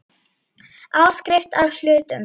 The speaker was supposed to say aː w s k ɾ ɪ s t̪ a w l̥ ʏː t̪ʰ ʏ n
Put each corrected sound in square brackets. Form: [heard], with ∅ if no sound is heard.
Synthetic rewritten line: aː w s k ɾ ɪ [f] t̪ a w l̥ ʏː [t̪] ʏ [m]